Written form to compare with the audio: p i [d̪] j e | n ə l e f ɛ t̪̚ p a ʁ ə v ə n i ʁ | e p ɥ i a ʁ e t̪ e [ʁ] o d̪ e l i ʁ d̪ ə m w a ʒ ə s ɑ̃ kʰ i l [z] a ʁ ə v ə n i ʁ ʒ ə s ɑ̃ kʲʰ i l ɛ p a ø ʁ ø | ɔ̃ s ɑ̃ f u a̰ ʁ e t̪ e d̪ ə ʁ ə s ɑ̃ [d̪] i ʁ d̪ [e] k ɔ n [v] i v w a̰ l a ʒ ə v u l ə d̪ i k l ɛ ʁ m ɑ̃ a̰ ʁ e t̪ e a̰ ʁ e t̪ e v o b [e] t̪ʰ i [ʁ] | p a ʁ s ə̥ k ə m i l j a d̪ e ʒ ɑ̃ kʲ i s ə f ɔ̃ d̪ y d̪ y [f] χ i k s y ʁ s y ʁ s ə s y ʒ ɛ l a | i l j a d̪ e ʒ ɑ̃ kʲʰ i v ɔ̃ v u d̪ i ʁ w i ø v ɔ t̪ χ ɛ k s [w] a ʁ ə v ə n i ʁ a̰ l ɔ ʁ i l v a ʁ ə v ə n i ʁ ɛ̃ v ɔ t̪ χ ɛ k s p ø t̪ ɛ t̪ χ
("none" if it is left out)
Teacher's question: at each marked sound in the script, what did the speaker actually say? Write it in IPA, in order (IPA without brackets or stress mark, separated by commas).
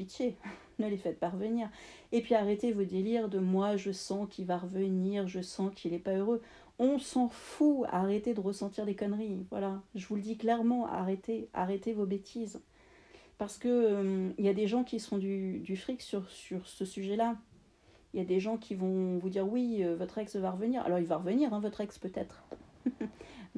t̪, v, v, t̪, e, ʁ, e, z, f, v